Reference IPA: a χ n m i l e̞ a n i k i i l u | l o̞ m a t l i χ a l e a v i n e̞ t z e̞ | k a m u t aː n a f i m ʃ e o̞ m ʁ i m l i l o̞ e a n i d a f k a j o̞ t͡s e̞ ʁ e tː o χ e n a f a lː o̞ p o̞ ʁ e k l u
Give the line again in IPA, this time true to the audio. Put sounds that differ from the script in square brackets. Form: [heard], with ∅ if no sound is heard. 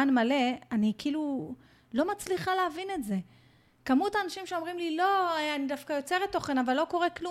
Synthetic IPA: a [∅] n m [a] l e̞ a n i k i i l u | l o̞ m a [t͡s] l i χ a l e a v i n e̞ t z e̞ | k a m u t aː n a [ʃ] i m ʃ e o̞ m ʁ i m l i l o̞ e a n i d a f k a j o̞ t͡s e̞ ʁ e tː o χ e n a [v] a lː o̞ [k] o̞ ʁ e k l u